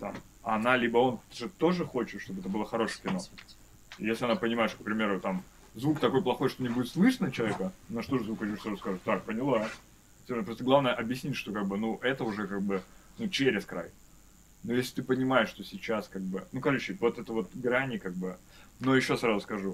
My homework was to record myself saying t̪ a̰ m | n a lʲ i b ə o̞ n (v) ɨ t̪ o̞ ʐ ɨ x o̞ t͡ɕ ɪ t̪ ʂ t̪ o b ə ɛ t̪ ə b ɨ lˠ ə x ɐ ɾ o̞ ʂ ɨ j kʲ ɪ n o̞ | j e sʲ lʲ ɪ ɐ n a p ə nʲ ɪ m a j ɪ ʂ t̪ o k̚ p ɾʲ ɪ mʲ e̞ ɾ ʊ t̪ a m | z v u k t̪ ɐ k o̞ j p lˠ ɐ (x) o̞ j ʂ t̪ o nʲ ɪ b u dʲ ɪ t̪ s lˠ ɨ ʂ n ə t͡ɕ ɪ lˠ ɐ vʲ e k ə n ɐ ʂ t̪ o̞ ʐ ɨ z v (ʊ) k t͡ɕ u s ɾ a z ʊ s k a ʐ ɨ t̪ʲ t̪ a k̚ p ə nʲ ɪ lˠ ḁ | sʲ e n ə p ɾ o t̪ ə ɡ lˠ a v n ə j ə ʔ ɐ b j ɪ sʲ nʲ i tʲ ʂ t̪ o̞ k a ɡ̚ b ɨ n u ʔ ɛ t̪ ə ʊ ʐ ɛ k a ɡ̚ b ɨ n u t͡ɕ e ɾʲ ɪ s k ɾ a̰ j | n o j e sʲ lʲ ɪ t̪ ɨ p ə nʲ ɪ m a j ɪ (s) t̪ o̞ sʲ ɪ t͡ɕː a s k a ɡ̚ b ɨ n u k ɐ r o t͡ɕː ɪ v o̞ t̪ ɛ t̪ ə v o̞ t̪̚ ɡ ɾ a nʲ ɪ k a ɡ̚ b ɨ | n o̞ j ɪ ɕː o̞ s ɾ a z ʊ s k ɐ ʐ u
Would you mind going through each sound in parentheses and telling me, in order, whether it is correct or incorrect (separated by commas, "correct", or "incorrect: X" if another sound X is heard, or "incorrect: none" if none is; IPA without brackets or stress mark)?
incorrect: ʐ, correct, incorrect: u, incorrect: ʂ